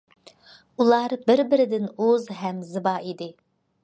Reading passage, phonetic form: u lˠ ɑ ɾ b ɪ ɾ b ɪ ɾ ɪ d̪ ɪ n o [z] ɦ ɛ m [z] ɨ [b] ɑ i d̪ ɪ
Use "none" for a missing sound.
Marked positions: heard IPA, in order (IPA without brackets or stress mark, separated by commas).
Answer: z, z, b